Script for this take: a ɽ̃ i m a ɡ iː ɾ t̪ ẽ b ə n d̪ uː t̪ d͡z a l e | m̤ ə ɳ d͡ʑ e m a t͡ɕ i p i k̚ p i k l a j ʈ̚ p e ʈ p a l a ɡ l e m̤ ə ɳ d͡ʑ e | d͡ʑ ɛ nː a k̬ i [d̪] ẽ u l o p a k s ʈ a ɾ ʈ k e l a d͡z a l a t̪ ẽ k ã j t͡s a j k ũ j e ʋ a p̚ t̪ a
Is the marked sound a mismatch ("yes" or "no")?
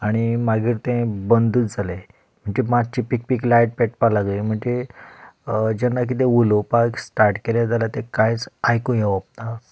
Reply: yes